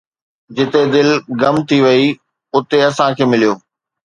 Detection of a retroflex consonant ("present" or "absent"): absent